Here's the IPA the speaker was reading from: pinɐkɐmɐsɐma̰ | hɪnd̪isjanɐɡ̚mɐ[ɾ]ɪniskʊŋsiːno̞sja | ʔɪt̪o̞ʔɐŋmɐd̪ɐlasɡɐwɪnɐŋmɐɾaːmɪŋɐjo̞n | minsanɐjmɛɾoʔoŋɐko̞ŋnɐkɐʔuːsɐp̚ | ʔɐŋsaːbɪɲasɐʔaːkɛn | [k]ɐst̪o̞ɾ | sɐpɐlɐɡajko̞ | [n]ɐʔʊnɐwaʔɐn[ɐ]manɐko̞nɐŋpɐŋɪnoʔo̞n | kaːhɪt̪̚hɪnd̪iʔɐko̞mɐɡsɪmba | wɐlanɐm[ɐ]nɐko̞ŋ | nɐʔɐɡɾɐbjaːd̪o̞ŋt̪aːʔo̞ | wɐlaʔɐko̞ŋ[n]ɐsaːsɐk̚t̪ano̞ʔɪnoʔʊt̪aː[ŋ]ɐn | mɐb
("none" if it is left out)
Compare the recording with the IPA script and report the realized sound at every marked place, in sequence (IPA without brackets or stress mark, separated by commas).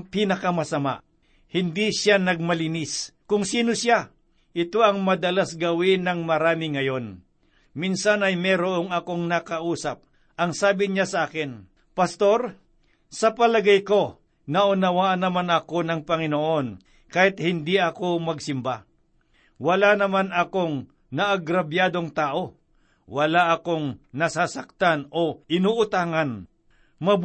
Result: l, p, n, ɐ, a, n, ŋ